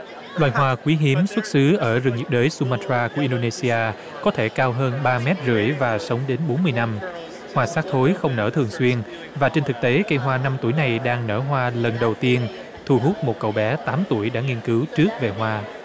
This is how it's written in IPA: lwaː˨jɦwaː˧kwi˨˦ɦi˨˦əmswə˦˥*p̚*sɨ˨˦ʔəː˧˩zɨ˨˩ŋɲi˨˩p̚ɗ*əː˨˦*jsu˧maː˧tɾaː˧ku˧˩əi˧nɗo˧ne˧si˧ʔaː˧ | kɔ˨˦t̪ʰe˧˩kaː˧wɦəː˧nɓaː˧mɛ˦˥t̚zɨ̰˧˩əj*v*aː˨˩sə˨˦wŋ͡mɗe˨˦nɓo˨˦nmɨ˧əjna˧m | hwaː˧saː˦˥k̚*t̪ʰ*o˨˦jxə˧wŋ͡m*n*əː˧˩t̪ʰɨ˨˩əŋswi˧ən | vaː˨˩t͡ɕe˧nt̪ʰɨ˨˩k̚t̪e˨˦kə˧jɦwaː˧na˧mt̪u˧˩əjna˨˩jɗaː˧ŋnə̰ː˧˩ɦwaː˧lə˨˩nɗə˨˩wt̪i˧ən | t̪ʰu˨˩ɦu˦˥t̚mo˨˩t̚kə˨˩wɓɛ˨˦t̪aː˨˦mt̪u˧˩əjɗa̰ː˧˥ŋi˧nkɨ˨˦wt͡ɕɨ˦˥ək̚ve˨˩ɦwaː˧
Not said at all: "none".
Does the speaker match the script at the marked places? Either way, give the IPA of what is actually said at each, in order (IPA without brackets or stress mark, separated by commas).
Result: t̚, əː˨˦, v, t̪ʰ, n